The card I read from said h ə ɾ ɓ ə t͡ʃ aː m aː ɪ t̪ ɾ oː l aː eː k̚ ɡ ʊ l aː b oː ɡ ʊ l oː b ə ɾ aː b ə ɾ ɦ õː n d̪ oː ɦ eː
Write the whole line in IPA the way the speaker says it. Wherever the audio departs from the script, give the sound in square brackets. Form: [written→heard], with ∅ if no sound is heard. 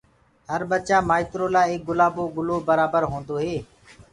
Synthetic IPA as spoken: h ə ɾ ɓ ə t͡ʃ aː m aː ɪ t̪ ɾ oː l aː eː k̚ ɡ ʊ l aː b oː ɡ ʊ l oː b ə ɾ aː b ə ɾ ɦ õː n d̪ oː ɦ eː

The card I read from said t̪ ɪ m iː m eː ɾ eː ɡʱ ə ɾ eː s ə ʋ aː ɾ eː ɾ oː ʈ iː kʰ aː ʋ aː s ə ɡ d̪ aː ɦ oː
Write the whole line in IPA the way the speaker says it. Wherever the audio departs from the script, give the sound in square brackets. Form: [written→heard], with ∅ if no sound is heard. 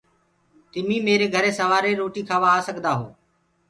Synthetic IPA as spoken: t̪ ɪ m iː m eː ɾ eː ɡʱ ə ɾ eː s ə ʋ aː ɾ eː ɾ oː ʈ iː kʰ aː ʋ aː s ə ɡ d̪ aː ɦ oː

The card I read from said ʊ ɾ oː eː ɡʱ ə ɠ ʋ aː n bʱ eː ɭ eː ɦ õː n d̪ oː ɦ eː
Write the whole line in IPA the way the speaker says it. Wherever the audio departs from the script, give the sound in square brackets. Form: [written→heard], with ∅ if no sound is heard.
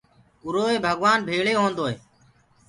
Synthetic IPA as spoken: ʊ ɾ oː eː [ɡʱ→bʱ] ə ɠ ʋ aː n bʱ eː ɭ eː ɦ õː n d̪ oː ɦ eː

